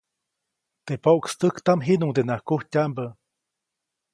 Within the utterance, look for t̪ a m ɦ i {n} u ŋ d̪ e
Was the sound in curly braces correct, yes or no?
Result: yes